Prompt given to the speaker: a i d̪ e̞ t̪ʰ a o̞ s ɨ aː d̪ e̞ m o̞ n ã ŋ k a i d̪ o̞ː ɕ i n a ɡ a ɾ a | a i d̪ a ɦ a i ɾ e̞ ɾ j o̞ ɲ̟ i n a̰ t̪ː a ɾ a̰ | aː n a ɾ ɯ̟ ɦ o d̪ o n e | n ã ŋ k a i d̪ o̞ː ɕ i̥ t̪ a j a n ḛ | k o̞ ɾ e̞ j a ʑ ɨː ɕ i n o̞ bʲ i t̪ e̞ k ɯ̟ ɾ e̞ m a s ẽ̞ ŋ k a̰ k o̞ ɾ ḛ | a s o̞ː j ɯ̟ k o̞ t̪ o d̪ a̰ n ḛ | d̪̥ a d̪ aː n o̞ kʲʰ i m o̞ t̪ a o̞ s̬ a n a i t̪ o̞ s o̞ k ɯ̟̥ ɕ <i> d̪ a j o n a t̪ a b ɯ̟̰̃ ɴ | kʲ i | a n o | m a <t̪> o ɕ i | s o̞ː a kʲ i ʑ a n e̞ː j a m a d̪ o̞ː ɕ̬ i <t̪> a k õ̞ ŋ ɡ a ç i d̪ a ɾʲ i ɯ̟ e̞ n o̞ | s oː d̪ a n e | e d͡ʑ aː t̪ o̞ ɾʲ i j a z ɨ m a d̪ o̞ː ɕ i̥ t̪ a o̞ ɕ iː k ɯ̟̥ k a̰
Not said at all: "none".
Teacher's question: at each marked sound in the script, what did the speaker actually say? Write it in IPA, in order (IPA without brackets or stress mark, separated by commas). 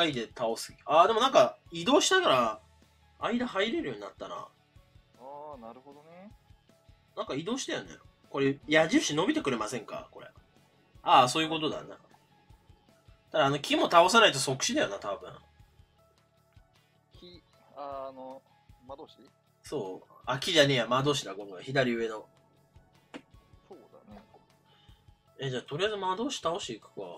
i, d̪, d̪